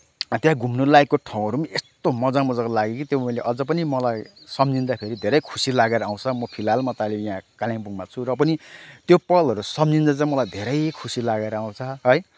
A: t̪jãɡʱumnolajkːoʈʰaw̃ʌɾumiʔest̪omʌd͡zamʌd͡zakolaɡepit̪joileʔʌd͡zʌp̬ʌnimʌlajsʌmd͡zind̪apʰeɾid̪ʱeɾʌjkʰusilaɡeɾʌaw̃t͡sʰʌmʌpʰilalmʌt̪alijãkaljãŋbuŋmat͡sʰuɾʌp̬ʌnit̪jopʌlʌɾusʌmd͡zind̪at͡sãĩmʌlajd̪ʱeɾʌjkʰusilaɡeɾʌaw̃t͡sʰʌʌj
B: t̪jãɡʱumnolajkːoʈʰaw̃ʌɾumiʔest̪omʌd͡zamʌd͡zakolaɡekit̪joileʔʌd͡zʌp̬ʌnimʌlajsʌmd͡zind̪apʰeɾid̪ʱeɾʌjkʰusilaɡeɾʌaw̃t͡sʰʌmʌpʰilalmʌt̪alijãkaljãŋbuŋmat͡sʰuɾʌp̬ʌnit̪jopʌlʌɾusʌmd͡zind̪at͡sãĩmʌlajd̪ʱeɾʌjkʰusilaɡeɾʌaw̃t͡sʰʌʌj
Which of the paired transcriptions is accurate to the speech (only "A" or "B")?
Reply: B